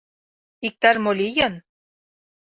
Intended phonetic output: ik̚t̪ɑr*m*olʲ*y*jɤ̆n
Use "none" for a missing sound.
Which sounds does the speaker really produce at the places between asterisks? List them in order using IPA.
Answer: m, i

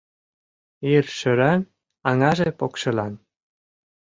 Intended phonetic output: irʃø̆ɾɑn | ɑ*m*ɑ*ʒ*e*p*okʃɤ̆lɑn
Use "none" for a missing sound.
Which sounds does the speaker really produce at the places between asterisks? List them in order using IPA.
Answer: ŋ, ʒ, p

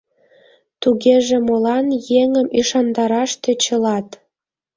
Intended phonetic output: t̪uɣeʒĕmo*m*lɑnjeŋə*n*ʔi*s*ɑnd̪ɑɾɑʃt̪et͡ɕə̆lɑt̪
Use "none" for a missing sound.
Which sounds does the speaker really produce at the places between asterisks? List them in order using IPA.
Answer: none, m, ʃ

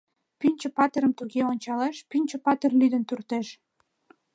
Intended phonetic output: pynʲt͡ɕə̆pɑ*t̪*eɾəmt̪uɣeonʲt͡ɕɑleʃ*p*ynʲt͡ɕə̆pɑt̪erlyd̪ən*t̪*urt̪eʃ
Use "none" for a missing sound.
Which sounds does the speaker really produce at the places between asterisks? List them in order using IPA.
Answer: t̪, p, t̪

